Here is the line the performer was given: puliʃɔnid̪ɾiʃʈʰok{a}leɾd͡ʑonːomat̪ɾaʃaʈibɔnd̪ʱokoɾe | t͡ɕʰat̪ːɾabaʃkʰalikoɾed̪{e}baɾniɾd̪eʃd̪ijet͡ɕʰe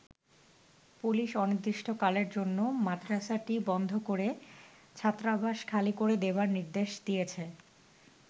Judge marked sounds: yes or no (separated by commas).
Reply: yes, yes